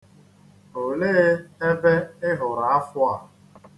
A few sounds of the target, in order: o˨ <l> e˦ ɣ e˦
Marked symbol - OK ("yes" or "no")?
yes